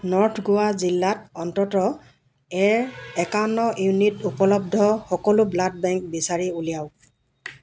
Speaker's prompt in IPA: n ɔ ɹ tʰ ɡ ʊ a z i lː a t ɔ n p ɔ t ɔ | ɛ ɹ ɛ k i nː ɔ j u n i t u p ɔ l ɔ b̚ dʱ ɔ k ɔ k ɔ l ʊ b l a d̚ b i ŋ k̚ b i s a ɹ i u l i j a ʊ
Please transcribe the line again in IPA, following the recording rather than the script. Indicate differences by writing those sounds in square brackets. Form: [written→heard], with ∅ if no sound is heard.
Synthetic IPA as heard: n ɔ ɹ tʰ ɡ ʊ a z i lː a t ɔ n [p→t] ɔ t ɔ | ɛ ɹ ɛ k [i→a] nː ɔ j u n i t u p ɔ l ɔ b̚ dʱ ɔ [k→x] ɔ k ɔ l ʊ b l a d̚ b [i→ɛ] ŋ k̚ b i s a ɹ i u l i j a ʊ

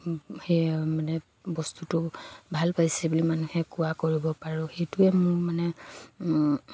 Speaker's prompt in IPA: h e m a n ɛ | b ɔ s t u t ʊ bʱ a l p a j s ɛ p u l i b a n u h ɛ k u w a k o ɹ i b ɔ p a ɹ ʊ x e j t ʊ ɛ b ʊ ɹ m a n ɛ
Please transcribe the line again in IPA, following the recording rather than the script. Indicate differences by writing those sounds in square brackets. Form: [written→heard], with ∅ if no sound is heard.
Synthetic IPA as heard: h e m a n ɛ | b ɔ s t u t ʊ bʱ a l p a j s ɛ [p→b] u l i [b→m] a n u h ɛ k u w a k o ɹ i b ɔ p a ɹ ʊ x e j t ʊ ɛ [b→m] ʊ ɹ m a n ɛ

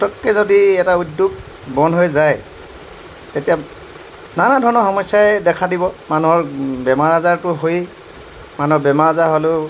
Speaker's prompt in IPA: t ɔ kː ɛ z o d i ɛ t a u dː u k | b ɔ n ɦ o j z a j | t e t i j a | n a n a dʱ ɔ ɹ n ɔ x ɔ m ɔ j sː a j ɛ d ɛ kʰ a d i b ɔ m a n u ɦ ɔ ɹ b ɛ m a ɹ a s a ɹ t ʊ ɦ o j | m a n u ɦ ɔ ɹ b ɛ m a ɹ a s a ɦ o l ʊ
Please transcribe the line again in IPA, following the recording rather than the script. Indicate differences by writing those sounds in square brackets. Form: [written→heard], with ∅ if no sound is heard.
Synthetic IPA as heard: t ɔ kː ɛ z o d i ɛ t a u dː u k | b ɔ n ɦ o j z a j | t e t i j a | n a n a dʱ ɔ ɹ n ɔ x ɔ m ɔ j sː a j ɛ d ɛ kʰ a d i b ɔ m a n u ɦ ɔ ɹ b ɛ m a ɹ a [s→z] a ɹ t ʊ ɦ o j | m a n u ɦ ɔ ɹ b ɛ m a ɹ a [s→z] a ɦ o l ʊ

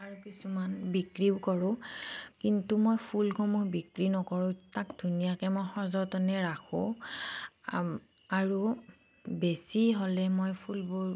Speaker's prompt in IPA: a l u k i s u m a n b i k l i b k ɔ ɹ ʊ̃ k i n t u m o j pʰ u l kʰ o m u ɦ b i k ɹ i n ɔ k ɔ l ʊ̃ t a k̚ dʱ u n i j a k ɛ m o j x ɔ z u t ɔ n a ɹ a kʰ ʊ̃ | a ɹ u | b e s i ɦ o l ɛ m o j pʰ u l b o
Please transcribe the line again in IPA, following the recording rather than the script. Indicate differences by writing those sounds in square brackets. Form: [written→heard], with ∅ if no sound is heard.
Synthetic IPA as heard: a [l→ɹ] u k i s u m a n b i k [l→ɹ] i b k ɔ ɹ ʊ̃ k i n t u m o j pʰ u l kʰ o m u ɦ b i k ɹ i n ɔ k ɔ [l→ɹ] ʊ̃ t a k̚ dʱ u n i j a k ɛ m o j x ɔ z [u→ɔ] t ɔ n [a→ɛ] ɹ a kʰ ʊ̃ | a ɹ u | b e s i ɦ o l ɛ m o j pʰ u l b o

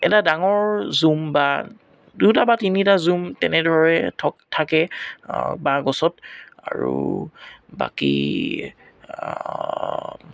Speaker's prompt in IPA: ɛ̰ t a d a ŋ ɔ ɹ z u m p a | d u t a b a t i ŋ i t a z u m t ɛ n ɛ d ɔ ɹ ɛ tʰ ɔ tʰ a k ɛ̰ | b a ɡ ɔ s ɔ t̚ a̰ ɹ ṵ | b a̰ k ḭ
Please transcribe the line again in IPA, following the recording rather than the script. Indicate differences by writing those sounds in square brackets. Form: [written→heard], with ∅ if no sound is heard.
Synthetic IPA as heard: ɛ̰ t a d a ŋ ɔ ɹ z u m [p→b] a | d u t a b a t i [ŋ→n] i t a z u m t ɛ n ɛ d ɔ ɹ ɛ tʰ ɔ tʰ a k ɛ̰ | b a ɡ ɔ s ɔ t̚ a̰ ɹ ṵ | b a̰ k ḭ

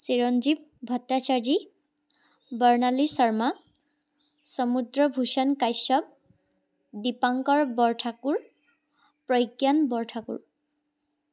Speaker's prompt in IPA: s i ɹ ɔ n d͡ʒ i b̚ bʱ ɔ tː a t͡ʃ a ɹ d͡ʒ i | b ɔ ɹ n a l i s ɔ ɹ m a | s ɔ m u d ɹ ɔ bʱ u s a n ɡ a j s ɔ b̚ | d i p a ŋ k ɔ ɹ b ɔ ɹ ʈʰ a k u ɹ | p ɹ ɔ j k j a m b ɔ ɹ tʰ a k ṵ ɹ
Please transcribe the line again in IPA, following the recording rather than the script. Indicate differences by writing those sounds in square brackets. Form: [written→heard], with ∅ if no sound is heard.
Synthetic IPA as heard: s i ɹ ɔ n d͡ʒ i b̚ bʱ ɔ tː a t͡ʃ a ɹ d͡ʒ i | b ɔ ɹ n a l i s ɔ ɹ m a | s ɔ m u d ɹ ɔ bʱ u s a n [ɡ→k] a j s ɔ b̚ | d i p a ŋ k ɔ ɹ b ɔ ɹ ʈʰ a k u ɹ | p ɹ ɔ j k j a [m→n] b ɔ ɹ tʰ a k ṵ ɹ

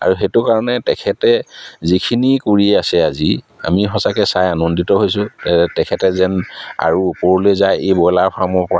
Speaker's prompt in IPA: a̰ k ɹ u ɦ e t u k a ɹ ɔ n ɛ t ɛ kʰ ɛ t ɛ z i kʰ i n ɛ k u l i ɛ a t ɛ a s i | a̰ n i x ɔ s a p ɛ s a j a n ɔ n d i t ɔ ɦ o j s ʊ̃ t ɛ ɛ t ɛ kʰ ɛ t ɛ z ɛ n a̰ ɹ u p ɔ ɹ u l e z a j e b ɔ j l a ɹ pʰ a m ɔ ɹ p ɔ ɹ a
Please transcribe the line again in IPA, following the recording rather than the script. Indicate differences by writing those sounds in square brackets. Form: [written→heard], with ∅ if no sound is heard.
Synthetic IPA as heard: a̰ [k→∅] ɹ u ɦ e t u k a ɹ ɔ n ɛ t ɛ kʰ ɛ t ɛ z i kʰ i n [ɛ→i] k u [l→ɹ] i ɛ a [t→s] ɛ a [s→z] i | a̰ [n→m] i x ɔ s a [p→k] ɛ s a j a n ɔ n d i t ɔ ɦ o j s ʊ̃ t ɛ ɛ t ɛ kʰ ɛ t ɛ z ɛ n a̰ ɹ u p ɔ ɹ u l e z a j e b ɔ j l a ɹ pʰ a m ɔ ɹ p ɔ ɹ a

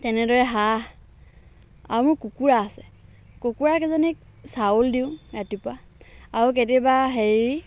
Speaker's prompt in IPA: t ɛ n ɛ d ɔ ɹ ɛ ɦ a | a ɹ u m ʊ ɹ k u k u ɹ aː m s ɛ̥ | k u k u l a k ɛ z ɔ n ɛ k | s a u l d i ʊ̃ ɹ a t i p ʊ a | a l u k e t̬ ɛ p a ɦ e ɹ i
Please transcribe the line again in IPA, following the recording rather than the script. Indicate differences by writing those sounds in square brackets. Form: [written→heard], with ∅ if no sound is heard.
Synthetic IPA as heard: t ɛ n ɛ d ɔ ɹ ɛ ɦ a | a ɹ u m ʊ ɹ k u k u ɹ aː [m→∅] s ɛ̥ | k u k u [l→ɹ] a k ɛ z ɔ n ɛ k | s a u l d i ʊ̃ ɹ a t i p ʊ a | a [l→ɹ] u k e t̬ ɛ [p→b] a ɦ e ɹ i

